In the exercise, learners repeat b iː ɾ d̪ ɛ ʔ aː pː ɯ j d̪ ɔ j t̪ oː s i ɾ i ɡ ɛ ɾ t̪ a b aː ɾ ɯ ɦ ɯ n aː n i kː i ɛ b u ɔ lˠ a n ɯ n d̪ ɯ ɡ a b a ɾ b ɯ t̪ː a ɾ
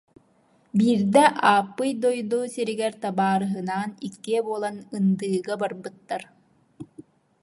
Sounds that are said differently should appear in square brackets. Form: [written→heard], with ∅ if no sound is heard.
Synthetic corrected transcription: b iː ɾ d̪ ɛ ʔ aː pː ɯ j d̪ ɔ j [t̪→d̪] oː s i ɾ i ɡ ɛ ɾ t̪ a b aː ɾ ɯ ɦ ɯ n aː n i kː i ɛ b u ɔ lˠ a n ɯ n d̪ [ɯ→ɯː] ɡ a b a ɾ b ɯ t̪ː a ɾ